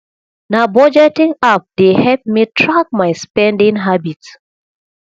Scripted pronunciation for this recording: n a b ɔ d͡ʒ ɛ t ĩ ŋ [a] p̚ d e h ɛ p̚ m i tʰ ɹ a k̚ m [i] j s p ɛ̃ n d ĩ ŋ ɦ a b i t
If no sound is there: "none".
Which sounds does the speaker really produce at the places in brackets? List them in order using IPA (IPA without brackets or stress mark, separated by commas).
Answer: a, a